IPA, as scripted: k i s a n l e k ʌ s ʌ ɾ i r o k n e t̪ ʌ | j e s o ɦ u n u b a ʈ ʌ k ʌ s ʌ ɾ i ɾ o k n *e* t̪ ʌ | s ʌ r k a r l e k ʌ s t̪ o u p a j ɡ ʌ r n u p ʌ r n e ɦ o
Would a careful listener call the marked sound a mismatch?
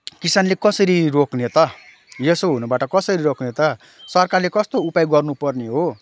no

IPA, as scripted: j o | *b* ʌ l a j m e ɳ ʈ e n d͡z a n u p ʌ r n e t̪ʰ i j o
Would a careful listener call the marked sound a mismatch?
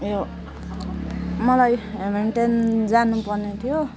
yes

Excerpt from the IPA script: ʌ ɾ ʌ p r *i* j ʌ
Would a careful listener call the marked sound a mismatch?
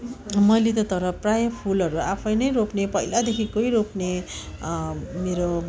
yes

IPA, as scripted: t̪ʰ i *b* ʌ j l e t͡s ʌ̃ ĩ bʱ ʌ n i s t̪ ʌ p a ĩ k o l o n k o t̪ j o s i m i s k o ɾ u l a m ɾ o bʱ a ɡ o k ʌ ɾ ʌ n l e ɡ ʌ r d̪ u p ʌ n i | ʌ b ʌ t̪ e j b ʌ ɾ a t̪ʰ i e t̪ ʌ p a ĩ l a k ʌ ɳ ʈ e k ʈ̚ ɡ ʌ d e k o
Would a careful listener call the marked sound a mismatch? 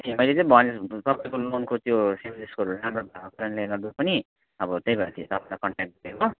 yes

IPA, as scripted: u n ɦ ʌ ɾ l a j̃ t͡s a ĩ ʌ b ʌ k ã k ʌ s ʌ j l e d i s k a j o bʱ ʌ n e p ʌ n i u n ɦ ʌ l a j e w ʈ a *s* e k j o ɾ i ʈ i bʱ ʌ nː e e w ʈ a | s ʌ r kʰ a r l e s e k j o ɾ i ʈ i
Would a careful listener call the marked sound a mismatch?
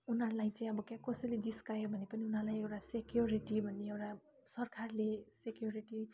no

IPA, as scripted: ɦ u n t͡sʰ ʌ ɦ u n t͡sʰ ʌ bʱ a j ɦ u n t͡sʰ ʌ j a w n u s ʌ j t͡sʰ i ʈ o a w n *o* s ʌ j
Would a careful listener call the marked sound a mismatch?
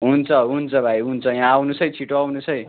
yes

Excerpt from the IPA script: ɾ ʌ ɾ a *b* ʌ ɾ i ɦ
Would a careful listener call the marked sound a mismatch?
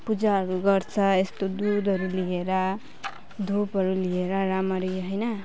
yes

